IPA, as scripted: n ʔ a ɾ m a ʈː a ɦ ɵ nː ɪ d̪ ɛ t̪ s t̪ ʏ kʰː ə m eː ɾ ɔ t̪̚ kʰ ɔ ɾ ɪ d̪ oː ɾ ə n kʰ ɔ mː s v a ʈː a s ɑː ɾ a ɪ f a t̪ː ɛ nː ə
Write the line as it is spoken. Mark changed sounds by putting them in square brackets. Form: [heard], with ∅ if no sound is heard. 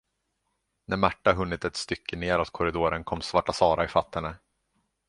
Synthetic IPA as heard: n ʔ [æ] ɾ m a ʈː a ɦ ɵ nː ɪ [t̪] ɛ t̪ s t̪ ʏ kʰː ə [n] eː ɾ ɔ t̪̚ kʰ ɔ ɾ ɪ d̪ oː ɾ ə n kʰ ɔ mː s v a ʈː a s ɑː ɾ a ɪ f a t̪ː ɛ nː ə